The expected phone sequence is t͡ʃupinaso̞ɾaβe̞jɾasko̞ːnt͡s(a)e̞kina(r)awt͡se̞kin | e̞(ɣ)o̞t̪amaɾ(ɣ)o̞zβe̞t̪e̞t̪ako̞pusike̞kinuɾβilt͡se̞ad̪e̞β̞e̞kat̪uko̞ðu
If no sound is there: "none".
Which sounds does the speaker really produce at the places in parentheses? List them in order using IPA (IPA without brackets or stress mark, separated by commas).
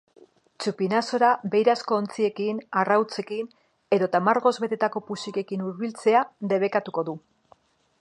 i, r, ð, ɣ